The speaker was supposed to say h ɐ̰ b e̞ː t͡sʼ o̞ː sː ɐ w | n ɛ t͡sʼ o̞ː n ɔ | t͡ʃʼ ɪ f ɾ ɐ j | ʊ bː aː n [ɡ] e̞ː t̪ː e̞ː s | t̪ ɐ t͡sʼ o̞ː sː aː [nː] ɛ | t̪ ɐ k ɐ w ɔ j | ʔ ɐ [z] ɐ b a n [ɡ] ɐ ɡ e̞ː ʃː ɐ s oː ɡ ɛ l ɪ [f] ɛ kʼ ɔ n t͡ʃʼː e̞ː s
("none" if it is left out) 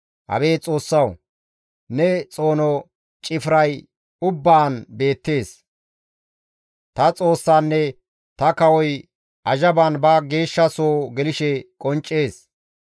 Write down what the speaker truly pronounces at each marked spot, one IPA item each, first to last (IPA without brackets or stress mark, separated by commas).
b, nː, ʒ, b, ʃ